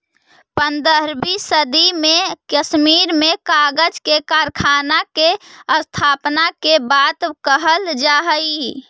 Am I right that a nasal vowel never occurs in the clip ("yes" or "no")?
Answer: yes